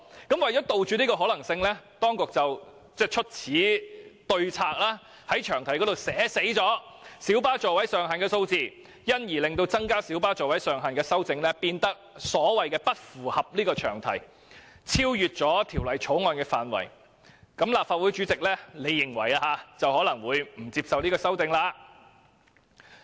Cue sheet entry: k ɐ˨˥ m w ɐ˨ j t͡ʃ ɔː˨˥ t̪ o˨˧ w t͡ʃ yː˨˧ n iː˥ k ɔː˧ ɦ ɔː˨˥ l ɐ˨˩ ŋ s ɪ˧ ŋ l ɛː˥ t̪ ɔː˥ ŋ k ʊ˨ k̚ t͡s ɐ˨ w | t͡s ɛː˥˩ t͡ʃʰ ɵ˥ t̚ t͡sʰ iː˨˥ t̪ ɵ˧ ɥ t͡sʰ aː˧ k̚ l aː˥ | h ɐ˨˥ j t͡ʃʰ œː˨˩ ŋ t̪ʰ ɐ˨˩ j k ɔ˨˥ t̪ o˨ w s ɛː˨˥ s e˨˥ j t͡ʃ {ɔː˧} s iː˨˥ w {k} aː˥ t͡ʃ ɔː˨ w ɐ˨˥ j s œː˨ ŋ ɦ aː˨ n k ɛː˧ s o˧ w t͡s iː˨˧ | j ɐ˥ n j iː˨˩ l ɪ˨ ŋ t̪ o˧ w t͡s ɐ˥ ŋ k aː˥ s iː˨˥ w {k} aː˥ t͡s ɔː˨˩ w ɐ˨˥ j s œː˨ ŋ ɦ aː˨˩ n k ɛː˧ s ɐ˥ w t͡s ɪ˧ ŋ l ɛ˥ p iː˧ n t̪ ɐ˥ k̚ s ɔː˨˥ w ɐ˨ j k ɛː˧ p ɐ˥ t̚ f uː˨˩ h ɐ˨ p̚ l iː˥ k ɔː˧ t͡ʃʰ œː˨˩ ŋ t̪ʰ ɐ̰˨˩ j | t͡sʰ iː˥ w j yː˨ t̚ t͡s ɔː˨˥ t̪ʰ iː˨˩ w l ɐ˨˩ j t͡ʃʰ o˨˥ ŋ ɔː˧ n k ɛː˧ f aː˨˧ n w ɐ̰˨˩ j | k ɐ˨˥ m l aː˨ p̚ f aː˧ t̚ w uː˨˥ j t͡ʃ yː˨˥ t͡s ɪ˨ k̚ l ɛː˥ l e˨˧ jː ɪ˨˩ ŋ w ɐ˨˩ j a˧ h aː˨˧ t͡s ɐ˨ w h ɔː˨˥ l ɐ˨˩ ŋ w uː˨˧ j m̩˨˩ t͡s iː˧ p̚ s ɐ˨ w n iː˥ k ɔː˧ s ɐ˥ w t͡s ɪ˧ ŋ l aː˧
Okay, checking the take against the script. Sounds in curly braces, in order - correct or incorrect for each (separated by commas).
incorrect, incorrect, incorrect